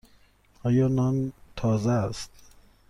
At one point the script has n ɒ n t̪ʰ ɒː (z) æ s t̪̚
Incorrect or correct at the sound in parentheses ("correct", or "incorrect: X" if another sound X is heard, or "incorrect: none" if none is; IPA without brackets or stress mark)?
correct